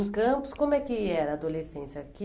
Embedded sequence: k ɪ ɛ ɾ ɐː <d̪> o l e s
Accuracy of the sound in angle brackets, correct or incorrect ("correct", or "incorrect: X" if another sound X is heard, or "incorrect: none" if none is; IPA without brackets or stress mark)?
correct